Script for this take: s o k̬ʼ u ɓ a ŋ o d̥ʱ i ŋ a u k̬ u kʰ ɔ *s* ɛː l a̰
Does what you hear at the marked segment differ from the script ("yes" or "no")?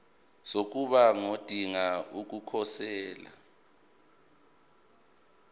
no